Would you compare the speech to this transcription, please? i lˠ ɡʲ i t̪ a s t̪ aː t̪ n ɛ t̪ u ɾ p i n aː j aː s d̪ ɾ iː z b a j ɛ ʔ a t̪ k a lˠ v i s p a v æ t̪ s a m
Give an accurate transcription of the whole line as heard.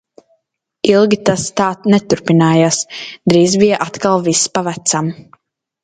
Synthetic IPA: i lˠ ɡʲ i t̪ a s t̪ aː t̪ n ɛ t̪ u ɾ p i n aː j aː s d̪ ɾ iː z b i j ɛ ʔ a t̪ k a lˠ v i s p a v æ t̪ s a m